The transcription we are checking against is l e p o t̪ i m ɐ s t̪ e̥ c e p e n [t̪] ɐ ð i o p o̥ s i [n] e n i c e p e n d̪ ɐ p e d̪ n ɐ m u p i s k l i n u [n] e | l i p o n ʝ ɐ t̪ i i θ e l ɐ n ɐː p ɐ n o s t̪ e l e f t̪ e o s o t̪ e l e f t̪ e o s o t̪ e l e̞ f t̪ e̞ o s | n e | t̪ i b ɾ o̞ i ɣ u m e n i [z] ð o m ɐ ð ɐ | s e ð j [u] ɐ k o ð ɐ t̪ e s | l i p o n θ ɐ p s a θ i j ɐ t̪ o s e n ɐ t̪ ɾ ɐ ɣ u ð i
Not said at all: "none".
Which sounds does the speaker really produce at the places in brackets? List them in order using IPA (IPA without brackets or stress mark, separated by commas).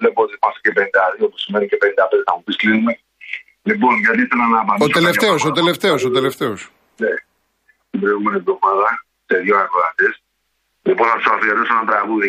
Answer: d̪, m, m, v, o